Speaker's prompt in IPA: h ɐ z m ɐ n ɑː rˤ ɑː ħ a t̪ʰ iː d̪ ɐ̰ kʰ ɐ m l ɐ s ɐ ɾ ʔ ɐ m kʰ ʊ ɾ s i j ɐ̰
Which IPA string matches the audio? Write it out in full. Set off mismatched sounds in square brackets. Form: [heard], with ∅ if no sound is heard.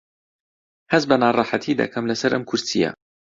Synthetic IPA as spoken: h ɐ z [b] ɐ n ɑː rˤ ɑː ħ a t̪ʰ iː d̪ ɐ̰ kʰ ɐ m l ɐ s ɐ ɾ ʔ ɐ m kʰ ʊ ɾ s i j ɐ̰